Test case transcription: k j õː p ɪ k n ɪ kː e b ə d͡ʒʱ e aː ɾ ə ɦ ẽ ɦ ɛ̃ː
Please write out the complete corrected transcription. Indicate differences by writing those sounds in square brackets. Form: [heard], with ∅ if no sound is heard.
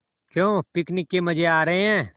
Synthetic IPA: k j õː p ɪ k n ɪ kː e [m] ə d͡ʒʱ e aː ɾ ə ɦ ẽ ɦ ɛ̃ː